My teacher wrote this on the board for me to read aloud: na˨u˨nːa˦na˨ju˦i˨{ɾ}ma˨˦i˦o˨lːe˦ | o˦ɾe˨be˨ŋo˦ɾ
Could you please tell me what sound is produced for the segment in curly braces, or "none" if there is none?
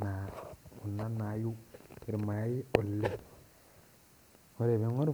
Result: ɾ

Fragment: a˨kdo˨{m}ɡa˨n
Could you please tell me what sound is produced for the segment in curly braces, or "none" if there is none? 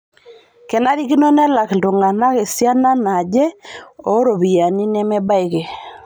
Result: ŋ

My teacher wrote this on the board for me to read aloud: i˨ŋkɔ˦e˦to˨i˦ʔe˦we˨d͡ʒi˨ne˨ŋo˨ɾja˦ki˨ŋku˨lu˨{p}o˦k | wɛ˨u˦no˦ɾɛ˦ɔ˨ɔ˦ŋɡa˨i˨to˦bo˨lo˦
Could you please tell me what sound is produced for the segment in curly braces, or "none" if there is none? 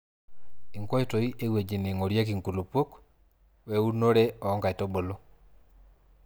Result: p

